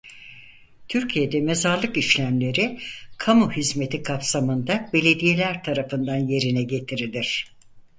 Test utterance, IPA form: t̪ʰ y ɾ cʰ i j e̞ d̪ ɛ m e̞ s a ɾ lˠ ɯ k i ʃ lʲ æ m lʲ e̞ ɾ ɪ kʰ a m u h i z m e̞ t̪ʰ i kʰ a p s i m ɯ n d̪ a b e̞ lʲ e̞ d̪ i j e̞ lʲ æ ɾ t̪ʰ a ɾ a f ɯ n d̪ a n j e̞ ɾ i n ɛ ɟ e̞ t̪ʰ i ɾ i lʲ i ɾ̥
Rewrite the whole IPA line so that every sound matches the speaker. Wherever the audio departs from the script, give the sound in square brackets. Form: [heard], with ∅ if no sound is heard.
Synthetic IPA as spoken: t̪ʰ y ɾ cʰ i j e̞ d̪ ɛ m e̞ [z] a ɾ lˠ ɯ k i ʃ lʲ æ m lʲ e̞ ɾ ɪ kʰ a m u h i z m e̞ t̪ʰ i kʰ a p s [a] m ɯ n d̪ a b e̞ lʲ e̞ d̪ i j e̞ lʲ æ ɾ t̪ʰ a ɾ a f ɯ n d̪ a n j e̞ ɾ i n ɛ ɟ e̞ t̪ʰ i ɾ i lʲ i ɾ̥

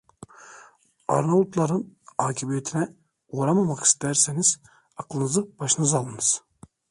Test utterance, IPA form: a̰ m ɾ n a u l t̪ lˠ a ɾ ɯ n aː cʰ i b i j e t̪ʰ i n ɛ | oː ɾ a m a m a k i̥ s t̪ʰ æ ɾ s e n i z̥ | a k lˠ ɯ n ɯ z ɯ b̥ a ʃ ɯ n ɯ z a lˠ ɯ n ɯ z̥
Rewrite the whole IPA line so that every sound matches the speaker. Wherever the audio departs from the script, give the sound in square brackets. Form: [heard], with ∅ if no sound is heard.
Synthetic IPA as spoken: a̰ [∅] ɾ n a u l t̪ lˠ a ɾ ɯ n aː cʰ i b i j e t̪ʰ i n ɛ | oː ɾ a m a m a k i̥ s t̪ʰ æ ɾ s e n i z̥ | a k lˠ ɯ n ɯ z ɯ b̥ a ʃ ɯ n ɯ z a lˠ ɯ n ɯ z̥

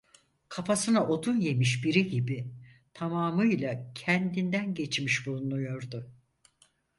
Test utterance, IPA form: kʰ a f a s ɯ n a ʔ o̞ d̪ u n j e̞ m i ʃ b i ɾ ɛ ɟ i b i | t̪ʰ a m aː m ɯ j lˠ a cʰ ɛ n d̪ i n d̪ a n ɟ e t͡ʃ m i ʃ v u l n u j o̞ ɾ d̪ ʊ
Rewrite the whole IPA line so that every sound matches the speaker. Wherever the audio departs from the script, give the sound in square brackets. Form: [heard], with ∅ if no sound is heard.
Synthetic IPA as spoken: kʰ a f a s ɯ n a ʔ o̞ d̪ u n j e̞ m i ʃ b i ɾ [i] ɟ i b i | t̪ʰ a m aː m ɯ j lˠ a cʰ ɛ n d̪ i n d̪ [æ] n ɟ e t͡ʃ m i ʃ [b] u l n u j o̞ ɾ d̪ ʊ

